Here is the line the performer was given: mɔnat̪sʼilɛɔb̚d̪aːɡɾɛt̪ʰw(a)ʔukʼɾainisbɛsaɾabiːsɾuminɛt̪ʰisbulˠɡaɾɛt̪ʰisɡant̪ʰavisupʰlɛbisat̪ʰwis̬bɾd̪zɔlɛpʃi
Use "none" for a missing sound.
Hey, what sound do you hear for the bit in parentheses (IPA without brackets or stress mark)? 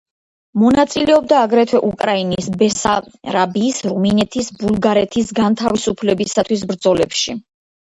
ɛ